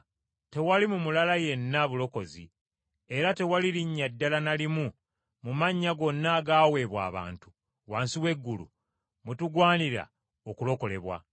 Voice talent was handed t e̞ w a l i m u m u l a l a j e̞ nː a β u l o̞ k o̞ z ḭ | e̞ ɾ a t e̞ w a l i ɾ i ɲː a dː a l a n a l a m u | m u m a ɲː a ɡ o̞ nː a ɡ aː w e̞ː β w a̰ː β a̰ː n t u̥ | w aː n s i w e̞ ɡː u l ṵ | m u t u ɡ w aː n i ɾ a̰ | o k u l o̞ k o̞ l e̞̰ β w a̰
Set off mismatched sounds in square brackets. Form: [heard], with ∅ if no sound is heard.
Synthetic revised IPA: t e̞ w a l i m u m u l a l a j e̞ nː a β u l o̞ k o̞ z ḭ | e̞ ɾ a t e̞ w a l i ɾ i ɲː a dː a l a n a l [i] m u | m u m a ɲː a ɡ o̞ nː a ɡ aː w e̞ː β w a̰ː β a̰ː n t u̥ | w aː n s i w e̞ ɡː u l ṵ | m u t u ɡ w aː n i ɾ a̰ | o k u l o̞ k o̞ l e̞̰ β w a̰